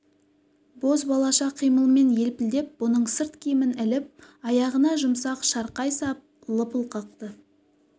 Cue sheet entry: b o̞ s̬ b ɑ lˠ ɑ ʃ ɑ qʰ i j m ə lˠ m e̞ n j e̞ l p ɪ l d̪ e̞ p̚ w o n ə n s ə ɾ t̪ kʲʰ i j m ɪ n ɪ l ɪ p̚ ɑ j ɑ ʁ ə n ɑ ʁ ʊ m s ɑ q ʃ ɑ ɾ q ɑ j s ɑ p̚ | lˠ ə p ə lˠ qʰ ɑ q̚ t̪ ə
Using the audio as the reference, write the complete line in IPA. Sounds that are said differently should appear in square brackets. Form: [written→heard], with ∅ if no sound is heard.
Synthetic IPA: b o̞ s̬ b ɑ lˠ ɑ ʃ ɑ qʰ i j m ə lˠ m e̞ n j e̞ l p ɪ l d̪ e̞ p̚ w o n ə [n→ɴ] s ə ɾ t̪ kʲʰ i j m ɪ n ɪ l ɪ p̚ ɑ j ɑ ʁ ə n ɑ [ʁ→ʒ] ʊ m s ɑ q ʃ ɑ ɾ q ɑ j s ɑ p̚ | lˠ ə p ə lˠ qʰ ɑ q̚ t̪ ə